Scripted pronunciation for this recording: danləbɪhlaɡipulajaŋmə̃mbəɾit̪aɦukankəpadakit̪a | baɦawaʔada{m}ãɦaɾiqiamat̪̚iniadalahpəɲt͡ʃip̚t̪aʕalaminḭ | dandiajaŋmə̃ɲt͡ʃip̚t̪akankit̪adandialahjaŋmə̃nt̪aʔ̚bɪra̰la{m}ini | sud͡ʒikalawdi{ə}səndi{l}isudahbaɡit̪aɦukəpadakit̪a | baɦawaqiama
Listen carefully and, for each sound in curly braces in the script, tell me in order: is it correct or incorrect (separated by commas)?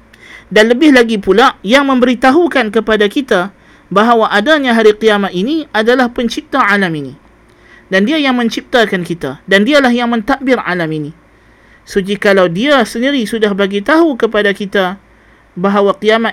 incorrect, correct, incorrect, incorrect